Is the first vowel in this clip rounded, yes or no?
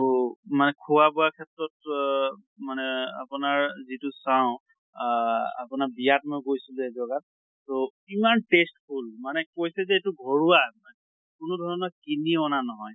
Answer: no